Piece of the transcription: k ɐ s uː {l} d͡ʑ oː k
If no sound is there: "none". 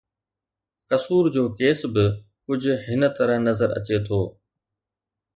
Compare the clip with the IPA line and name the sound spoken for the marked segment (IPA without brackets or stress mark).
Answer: ɾ